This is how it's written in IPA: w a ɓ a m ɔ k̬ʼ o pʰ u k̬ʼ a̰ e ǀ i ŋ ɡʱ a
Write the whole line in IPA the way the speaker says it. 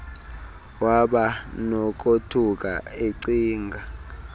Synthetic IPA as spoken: w a ɓ a n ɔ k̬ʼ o tʰ u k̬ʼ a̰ e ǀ iː ŋ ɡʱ a